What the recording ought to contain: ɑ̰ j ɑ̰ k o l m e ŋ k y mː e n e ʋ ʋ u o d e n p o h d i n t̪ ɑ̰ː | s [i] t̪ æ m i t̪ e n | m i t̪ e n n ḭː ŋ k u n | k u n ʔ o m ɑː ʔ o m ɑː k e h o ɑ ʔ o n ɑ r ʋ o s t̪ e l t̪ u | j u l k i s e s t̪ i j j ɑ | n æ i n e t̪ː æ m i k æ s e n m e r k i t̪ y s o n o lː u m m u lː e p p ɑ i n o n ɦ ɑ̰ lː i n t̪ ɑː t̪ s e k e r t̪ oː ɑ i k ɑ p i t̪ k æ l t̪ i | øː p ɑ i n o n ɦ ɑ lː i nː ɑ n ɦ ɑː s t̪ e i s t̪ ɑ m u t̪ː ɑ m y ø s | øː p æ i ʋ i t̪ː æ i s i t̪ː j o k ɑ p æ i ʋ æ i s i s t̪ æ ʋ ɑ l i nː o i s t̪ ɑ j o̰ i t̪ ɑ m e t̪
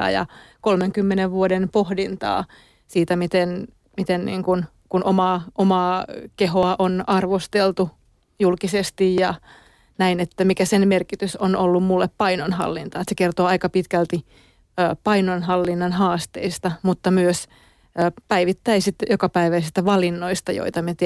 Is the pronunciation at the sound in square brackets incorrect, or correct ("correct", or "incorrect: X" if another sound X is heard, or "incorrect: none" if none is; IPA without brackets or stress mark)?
incorrect: iː